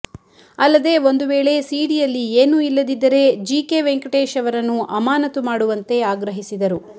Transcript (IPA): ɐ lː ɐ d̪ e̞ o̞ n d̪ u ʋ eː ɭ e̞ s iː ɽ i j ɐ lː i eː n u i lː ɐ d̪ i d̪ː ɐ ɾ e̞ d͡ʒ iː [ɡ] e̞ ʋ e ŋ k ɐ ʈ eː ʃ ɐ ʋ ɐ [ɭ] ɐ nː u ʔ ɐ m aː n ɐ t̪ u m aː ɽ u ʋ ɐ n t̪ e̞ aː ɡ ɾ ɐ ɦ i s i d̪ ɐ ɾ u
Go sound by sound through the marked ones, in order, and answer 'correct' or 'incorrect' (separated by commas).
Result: incorrect, incorrect